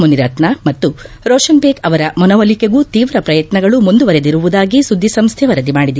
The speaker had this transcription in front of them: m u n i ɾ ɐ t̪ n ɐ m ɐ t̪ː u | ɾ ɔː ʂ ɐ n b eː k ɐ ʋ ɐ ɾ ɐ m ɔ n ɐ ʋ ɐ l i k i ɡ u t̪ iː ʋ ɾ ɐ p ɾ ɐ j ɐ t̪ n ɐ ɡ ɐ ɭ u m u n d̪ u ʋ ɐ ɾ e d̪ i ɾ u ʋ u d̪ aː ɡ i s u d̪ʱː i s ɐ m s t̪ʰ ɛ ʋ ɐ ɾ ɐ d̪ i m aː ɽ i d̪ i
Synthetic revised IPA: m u n i ɾ ɐ t̪ n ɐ m ɐ t̪ː u | ɾ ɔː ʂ ɐ n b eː k ɐ ʋ ɐ ɾ ɐ m ɔ n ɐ ʋ ɐ l i k e ɡ u t̪ iː ʋ ɾ ɐ p ɾ ɐ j ɐ t̪ n ɐ ɡ ɐ ɭ u m u n d̪ u ʋ ɐ ɾ e d̪ i ɾ u ʋ u d̪ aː ɡ i s u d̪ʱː i s ɐ m s t̪ʰ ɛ ʋ ɐ ɾ ɐ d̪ i m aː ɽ i d̪ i

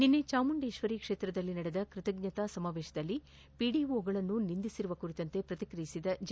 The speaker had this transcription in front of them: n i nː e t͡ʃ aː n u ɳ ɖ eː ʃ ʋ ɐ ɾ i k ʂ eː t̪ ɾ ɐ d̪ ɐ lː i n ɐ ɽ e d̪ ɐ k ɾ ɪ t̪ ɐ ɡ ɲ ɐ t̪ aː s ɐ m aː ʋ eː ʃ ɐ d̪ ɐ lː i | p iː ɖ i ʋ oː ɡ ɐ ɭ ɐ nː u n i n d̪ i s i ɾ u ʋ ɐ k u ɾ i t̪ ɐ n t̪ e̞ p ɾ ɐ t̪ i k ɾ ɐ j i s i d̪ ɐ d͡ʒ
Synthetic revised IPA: n i nː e t͡ʃ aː m u ɳ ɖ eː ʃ ʋ ɐ ɾ i k ʂ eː t̪ ɾ ɐ d̪ ɐ lː i n ɐ ɽ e d̪ ɐ k ɾ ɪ t̪ ɐ ɡ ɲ ɐ t̪ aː s ɐ m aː ʋ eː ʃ ɐ d̪ ɐ lː i | p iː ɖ i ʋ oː ɡ ɐ ɭ ɐ nː u n i n d̪ i s i ɾ u ʋ ɐ k u ɾ i t̪ ɐ n t̪ e̞ p ɾ ɐ t̪ i k ɾ ɐ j i s i d̪ ɐ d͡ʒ

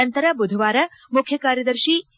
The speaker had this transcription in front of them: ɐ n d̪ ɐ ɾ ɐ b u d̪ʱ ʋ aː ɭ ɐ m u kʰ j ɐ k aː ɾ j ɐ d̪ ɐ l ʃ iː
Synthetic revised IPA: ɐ n t̪ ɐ ɾ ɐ b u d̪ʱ ʋ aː ɾ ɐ m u kʰ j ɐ k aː ɾ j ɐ d̪ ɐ ɾ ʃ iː

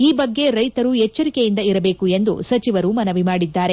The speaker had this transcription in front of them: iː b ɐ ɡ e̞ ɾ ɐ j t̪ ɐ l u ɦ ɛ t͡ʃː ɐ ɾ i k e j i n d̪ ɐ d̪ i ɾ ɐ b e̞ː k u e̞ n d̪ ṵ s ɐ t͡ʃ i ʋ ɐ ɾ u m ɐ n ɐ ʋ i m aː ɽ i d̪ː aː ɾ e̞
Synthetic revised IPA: iː b ɐ ɡː e̞ ɾ ɐ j t̪ ɐ ɾ u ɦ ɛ t͡ʃː ɐ ɾ i k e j i n d̪ ɐ i ɾ ɐ b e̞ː k u e̞ n d̪ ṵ s ɐ t͡ʃ i ʋ ɐ ɾ u m ɐ n ɐ ʋ i m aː ɽ i d̪ː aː ɾ e̞

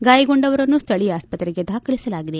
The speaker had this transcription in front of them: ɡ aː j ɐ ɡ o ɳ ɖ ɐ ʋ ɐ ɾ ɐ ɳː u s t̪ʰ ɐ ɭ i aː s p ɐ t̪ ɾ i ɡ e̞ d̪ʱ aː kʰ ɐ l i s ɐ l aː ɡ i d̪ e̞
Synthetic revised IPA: ɡ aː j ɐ ɡ o ɳ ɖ ɐ ʋ ɐ ɾ ɐ nː u s t̪ʰ ɐ ɭ i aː s p ɐ t̪ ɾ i ɡ e̞ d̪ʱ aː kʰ ɐ l i s ɐ l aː ɡ i d̪ e̞

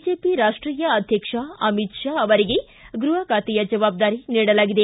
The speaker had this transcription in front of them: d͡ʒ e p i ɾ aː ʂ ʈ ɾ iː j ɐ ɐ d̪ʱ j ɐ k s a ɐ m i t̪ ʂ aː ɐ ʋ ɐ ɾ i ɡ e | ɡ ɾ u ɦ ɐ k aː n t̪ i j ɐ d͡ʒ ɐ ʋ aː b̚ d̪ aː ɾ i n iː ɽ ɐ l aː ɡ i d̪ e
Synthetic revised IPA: d͡ʒ e p i ɾ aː ʂ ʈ ɾ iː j ɐ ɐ d̪ʱ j ɐ k ʂ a ɐ m i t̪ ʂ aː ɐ ʋ ɐ ɾ i ɡ e | ɡ ɾ u ɦ ɐ k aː t̪ i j ɐ d͡ʒ ɐ ʋ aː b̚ d̪ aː ɾ i n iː ɽ ɐ l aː ɡ i d̪ e

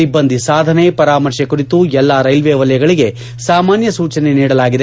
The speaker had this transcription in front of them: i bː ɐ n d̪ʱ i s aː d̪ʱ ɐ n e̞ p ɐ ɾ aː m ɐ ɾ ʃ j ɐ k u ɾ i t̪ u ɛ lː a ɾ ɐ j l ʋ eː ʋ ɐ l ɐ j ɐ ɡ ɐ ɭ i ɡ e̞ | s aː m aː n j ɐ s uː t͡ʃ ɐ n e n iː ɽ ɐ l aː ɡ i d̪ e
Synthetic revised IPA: i bː ɐ n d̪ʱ i s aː d̪ʱ ɐ n e̞ p ɐ ɾ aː m ɐ ɾ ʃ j ɐ k u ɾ i t̪ u ɛ lː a ɾ ɐ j l ʋ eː ʋ ɐ l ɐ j ɐ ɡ ɐ ɭ i ɡ e̞ | s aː m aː n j ɐ s uː t͡ʃ ɐ n e n iː ɽ ɐ l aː ɡ i d̪ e

